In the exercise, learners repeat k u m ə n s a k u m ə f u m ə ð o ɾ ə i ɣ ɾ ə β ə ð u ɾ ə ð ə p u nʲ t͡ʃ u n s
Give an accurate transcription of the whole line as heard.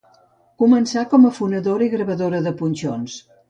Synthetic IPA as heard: k u m ə n s a k ɔ m ə f u n ə ð o ɾ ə i ɣ ɾ ə β ə ð o ɾ ə ð ə p u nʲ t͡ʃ o n s